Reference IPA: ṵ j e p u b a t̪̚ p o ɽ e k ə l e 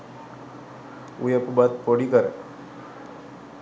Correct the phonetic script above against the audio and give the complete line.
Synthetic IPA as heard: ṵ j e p u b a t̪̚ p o ɽ i k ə ɾ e